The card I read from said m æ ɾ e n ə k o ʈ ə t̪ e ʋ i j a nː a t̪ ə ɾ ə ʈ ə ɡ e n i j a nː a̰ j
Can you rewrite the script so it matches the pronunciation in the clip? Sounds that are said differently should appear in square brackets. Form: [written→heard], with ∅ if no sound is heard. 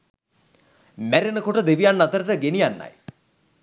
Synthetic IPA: m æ ɾ e n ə k o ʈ ə [t̪→d̪] e ʋ i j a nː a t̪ ə ɾ ə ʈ ə ɡ e n i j a nː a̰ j